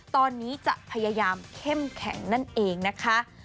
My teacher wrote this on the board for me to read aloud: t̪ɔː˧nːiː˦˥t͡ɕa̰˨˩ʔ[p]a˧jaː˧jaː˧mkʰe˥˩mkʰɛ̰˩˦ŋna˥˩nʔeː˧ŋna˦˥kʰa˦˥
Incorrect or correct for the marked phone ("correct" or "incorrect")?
incorrect